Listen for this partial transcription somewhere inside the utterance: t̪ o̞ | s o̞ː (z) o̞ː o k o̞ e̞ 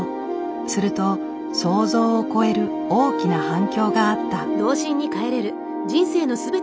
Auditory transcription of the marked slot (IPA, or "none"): z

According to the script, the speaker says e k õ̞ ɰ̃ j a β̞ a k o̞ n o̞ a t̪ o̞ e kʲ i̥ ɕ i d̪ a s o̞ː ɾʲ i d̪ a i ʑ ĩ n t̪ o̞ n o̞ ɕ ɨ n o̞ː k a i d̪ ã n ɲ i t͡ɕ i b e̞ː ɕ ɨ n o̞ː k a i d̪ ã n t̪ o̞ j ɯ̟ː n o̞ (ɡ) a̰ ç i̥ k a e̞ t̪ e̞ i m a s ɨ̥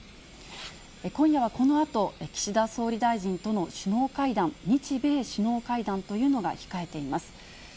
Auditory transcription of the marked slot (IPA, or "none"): ɡ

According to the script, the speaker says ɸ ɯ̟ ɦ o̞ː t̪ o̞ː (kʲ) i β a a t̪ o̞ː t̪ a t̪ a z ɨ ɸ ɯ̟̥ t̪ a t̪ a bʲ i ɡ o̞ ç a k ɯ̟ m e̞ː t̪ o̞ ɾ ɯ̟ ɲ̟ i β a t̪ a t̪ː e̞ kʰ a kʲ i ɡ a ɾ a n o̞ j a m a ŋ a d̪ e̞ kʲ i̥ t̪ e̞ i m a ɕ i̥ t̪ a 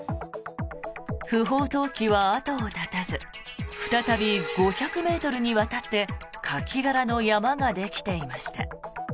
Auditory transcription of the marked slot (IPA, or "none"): kʲ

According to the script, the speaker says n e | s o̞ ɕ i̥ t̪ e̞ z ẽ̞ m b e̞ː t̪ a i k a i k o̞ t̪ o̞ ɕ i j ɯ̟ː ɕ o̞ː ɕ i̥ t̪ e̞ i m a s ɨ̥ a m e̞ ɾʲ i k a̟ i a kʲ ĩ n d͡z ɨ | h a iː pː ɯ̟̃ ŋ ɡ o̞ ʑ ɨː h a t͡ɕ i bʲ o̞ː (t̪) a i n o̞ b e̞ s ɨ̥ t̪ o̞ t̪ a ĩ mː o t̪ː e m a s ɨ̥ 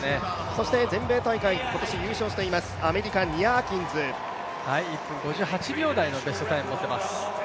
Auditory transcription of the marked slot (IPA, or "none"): d̪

